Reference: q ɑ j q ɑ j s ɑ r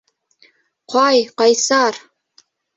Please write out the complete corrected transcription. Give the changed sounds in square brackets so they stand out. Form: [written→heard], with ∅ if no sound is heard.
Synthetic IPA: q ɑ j q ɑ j s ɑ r